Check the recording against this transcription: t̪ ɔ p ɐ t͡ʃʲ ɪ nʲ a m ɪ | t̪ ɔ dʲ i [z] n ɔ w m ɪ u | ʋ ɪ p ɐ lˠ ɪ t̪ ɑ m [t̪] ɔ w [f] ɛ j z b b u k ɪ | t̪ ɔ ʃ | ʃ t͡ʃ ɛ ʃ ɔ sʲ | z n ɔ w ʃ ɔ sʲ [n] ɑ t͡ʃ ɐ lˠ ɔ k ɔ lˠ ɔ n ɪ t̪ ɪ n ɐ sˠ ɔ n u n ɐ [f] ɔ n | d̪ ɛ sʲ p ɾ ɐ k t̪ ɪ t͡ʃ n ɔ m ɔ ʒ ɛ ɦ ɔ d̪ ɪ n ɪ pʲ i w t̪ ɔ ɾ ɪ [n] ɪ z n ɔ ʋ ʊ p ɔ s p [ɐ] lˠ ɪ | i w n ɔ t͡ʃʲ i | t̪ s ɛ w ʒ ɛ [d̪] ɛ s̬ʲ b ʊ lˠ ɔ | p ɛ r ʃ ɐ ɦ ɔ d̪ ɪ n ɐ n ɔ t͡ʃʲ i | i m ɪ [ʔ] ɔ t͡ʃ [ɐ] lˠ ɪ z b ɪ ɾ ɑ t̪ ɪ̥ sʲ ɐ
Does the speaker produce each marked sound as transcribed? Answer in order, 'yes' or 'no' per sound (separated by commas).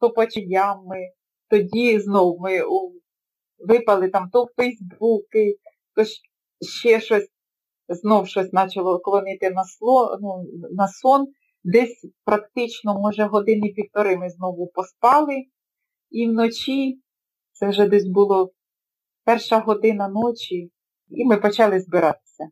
yes, yes, yes, yes, no, no, no, yes, no, no